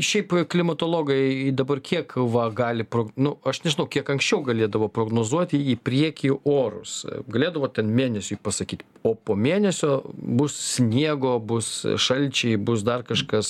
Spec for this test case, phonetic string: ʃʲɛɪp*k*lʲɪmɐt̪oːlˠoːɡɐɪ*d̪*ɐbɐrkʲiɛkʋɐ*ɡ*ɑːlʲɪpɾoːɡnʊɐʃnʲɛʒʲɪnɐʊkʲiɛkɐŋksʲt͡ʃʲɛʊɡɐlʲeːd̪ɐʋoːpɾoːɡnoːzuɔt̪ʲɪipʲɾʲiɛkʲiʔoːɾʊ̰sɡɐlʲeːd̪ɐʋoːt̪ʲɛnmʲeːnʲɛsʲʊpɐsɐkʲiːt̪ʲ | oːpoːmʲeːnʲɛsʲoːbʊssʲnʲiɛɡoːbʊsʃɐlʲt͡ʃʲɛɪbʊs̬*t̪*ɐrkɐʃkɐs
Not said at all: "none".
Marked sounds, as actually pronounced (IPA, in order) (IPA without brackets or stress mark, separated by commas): k, d̪, ɡ, d̪